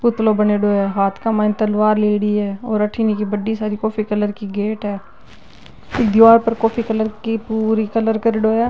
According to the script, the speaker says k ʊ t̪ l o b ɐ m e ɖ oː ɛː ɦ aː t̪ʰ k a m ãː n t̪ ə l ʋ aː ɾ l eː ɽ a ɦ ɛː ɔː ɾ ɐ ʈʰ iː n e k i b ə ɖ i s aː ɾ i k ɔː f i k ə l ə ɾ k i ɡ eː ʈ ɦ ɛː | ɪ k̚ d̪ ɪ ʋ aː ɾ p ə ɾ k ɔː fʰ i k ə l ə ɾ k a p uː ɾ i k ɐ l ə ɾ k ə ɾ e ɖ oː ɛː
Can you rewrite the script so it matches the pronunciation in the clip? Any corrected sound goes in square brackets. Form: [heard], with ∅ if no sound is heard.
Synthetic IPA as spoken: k ʊ t̪ l o b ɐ [n] e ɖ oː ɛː ɦ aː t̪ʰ k a m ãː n t̪ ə l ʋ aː ɾ l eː ɽ [i] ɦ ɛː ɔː ɾ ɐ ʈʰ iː n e k i b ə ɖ i s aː ɾ i k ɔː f i k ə l ə ɾ k i ɡ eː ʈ ɦ ɛː | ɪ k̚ d̪ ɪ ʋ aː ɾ p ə ɾ k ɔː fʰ i k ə l ə ɾ k [i] p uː ɾ i k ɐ l ə ɾ k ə ɾ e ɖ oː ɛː